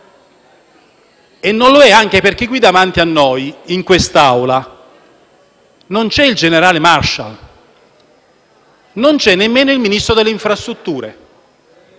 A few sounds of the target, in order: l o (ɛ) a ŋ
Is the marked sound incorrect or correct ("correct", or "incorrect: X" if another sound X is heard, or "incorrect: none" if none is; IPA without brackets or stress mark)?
correct